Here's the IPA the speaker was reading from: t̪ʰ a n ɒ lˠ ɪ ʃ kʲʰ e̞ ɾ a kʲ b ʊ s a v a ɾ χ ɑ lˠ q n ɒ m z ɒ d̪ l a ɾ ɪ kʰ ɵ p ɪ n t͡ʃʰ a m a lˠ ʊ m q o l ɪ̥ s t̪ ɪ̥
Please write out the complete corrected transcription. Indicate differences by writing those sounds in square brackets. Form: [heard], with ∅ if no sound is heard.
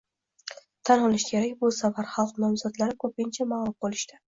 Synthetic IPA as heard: t̪ʰ a n ɒ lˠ ɪ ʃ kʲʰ e̞ ɾ a kʲ b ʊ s a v a ɾ χ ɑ lˠ q n ɒ m z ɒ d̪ l a ɾ ɪ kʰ ɵ p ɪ n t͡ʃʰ a m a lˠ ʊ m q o l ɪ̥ [ʃ] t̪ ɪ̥